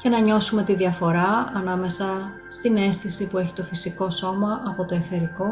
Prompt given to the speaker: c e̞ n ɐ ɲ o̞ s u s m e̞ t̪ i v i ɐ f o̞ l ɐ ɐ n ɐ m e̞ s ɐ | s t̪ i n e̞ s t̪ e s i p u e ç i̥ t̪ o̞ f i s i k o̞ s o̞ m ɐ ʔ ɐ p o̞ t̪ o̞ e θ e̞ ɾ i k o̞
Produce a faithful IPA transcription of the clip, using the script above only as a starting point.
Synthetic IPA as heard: c e̞ n ɐ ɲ o̞ s u m e̞ t̪ i ð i ɐ f o̞ ɾ ɐ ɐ n ɐ m e̞ s ɐ | s t̪ i n e̞ s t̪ i s i p u e ç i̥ t̪ o̞ f i s i k o̞ s o̞ m ɐ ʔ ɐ p o̞ t̪ o̞ e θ e̞ ɾ i k o̞